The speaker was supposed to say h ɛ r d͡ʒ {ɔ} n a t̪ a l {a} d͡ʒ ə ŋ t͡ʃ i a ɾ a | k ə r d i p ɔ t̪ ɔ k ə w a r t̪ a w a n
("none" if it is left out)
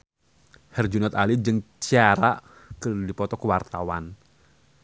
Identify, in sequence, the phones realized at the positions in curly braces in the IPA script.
u, i

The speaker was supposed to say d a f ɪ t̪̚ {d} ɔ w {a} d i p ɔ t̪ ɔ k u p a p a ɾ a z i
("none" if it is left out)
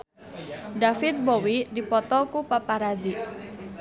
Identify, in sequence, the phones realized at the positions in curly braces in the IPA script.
b, i

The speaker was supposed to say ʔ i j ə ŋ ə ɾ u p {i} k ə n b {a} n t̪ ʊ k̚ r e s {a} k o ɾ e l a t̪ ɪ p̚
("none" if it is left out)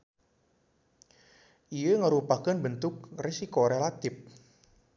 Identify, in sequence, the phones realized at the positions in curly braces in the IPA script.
a, ə, i

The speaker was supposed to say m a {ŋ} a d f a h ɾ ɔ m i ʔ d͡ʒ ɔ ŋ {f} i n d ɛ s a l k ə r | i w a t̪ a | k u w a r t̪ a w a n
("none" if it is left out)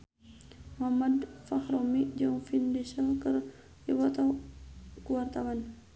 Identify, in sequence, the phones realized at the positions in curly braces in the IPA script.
m, f

